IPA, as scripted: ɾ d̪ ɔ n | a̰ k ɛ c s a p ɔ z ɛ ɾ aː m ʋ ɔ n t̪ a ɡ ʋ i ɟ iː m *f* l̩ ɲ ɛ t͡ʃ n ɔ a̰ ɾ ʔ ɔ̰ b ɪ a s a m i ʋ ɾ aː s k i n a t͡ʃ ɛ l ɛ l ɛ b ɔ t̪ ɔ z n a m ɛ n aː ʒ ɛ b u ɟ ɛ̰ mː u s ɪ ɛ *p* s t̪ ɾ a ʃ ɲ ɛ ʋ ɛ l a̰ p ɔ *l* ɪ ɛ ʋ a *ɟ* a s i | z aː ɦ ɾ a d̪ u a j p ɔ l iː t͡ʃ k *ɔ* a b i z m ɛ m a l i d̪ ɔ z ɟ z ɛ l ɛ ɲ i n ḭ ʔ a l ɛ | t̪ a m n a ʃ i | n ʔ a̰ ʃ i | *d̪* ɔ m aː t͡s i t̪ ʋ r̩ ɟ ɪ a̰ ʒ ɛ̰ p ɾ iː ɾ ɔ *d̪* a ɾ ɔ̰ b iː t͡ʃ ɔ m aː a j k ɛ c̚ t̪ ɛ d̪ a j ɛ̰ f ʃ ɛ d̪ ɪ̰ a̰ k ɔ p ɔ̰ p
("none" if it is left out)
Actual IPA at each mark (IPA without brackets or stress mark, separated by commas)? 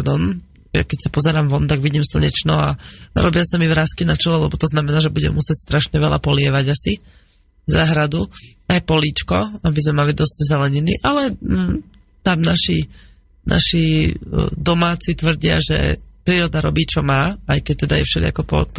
s, c, l, ɟ, ɔ, d̪, d̪